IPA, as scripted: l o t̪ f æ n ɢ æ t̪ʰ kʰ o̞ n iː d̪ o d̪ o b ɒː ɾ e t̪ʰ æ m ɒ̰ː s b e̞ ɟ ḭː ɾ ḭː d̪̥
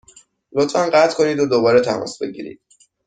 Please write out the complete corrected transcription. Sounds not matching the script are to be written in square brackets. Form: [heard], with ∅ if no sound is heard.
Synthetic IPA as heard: l o t̪ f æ n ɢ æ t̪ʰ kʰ o̞ n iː d̪ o d̪ o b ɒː ɾ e t̪ʰ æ m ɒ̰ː s b e̞ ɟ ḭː ɾ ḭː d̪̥